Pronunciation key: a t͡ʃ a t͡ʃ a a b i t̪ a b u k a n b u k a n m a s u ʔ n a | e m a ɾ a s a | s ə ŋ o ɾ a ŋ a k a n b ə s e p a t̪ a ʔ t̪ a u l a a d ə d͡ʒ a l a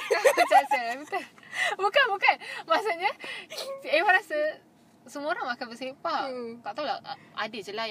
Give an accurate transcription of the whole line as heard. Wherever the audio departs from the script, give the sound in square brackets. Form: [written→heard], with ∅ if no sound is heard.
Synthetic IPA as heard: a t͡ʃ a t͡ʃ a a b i t̪ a b u k a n b u k a n m a s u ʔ [n→ɲ] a | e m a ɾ a s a | s ə [ŋ→m] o ɾ a ŋ a k a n b ə s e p a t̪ a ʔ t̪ a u l a a d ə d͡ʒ [a→ə] l a